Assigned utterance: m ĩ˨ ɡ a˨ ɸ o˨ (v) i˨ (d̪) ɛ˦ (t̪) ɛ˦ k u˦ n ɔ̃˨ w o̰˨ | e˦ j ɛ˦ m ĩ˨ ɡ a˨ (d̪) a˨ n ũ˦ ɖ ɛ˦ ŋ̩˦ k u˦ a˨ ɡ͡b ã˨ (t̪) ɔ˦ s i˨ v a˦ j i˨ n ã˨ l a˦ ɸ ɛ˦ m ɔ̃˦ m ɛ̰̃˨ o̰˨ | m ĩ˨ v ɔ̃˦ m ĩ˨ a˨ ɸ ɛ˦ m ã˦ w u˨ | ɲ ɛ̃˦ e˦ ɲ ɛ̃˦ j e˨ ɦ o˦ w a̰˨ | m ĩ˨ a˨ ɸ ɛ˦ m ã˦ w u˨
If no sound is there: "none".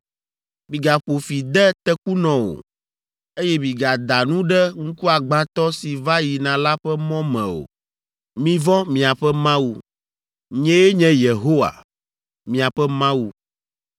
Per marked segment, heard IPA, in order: f, d̪, t̪, d̪, t̪

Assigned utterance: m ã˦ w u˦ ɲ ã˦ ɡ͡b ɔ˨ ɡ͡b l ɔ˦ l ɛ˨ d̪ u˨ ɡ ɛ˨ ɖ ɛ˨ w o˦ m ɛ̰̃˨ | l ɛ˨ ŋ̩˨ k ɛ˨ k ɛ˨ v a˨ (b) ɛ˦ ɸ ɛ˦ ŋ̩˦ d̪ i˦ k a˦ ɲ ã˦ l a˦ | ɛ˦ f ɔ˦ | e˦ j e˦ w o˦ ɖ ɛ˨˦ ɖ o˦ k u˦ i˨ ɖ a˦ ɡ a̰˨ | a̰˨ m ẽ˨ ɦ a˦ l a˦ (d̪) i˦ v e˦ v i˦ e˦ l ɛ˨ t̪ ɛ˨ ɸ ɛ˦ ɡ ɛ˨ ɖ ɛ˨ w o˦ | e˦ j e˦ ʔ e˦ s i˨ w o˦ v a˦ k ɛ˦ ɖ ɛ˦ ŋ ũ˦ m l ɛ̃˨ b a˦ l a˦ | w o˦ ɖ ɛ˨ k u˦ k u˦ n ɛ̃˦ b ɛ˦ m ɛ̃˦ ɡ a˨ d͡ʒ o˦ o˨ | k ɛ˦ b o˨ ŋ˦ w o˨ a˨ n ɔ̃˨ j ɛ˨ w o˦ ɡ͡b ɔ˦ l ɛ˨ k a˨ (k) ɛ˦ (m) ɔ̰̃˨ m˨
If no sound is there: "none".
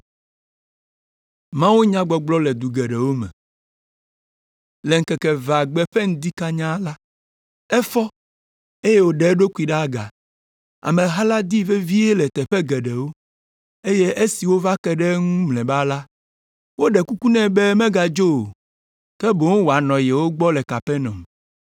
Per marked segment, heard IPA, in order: ɡ͡b, d̪, p, n

